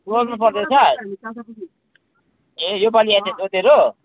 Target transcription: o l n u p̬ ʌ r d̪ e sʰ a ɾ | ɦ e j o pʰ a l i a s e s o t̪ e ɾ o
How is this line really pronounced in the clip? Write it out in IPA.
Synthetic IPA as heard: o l n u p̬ ʌ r d̪ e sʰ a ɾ | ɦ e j o p a l i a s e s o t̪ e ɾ o